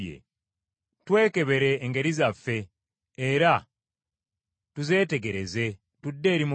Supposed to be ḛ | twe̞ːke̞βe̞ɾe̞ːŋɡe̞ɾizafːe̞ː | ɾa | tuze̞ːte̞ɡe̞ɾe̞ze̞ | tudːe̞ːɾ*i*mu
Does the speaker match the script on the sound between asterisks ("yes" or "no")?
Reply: yes